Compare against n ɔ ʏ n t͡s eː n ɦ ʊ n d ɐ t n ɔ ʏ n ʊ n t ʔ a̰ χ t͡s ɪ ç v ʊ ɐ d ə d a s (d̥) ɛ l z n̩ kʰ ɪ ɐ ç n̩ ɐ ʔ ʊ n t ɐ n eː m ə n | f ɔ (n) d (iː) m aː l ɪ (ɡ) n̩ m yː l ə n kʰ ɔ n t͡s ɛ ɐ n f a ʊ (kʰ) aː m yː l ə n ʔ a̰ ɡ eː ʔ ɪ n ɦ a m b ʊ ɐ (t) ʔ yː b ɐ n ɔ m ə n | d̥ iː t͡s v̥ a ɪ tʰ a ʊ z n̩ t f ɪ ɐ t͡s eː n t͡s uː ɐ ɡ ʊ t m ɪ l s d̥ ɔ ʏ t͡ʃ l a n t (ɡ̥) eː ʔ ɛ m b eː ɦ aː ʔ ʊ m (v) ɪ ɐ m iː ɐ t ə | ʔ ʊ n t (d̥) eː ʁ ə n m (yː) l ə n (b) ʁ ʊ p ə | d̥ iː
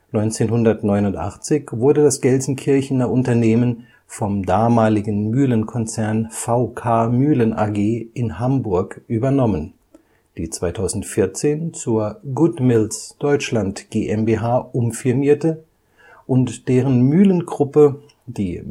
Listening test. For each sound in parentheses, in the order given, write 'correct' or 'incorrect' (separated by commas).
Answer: incorrect, incorrect, incorrect, correct, correct, incorrect, correct, incorrect, correct, correct, incorrect